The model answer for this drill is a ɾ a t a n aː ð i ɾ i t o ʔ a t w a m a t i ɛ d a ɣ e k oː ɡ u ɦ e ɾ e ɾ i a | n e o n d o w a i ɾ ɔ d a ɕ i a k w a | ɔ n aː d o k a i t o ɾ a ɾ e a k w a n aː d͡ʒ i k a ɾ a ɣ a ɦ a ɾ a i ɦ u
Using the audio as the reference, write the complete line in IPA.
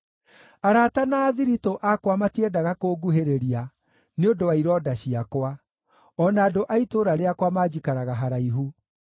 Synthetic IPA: a ɾ a t a n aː ð i ɾ i t o ʔ a k w a m a t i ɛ d a ɣ a k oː ɡ u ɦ e ɾ e ɾ i a | n e o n d o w a i ɾ ɔ d a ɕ i a k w a | ɔ n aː d o ʔ a i t o ɾ a ɾ e a k w a m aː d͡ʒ i k a ɾ a ɣ a ɦ a ɾ a i ɦ u

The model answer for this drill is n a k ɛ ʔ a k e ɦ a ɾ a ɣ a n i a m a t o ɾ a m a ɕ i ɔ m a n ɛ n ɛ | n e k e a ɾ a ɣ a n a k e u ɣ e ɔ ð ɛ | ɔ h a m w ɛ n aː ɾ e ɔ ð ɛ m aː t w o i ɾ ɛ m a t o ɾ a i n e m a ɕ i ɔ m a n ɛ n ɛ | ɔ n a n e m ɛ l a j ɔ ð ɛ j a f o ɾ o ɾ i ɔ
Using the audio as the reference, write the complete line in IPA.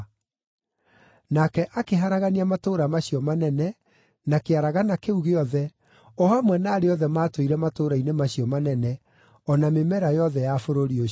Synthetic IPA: n a k ɛ ʔ a k e ɦ a ɾ a ɣ a n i a m a t o ɾ a m a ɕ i ɔ m a n ɛ n ɛ | n a k e a ɾ a ɣ a n a k e u ɣ e ɔ ð ɛ | ɔ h a m w ɛ n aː ɾ e ɔ ð ɛ m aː t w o i ɾ ɛ m a t o ɾ a i n e m a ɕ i ɔ m a n ɛ n ɛ | ɔ n a m e m ɛ ɾ a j ɔ ð ɛ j a f o ɾ o ɾ i o

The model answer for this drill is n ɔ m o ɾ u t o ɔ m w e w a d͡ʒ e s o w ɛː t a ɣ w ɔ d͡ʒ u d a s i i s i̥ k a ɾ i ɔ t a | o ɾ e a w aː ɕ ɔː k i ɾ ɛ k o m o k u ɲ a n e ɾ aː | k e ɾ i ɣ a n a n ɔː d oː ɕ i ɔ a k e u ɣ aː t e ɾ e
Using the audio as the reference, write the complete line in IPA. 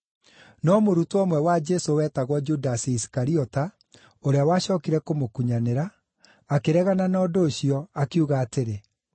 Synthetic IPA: n ɔ m o ɾ u t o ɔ m w ɛ w a d͡ʒ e s o w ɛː t a ɣ w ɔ d͡ʒ u d a s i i s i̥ k a ɾ i ɔ t a | o ɾ e a w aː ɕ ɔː k i ɾ ɛ k o m o k u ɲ a n e ɾ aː | k e ɾ ɛ ɣ a n a n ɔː d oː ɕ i ɔ a k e u ɣ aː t e ɾ e

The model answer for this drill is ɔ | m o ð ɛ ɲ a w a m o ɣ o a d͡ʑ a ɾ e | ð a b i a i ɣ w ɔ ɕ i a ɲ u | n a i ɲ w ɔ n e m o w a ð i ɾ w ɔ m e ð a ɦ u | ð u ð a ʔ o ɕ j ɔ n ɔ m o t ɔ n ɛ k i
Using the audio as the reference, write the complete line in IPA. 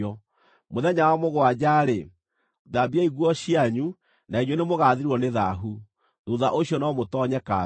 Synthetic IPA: ɔ | m o ð ɛ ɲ a w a m o ɣ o a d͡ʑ a ɾ e | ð a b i a i ɣ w ɔ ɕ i a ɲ u | n a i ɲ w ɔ n e m o ɣ a ð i ɾ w ɔ n e ð a ɦ u | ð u ð a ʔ o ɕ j ɔ n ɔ m o t ɔ ɲ ɛ k a

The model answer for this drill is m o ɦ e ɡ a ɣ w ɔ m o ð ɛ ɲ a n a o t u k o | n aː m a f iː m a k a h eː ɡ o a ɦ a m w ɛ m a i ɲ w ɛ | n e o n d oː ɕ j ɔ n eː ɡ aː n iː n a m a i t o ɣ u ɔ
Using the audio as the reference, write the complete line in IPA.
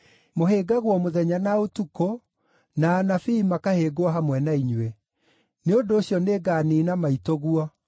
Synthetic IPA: m o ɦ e ɡ a ɣ w ɔ m o ð ɛ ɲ a n a o t u k o | n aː n a f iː m a k a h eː ɡ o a ɦ a m w ɛ n a i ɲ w ɛ | n e o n d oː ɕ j ɔ n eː ɡ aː n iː n a m a i t o ɣ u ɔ

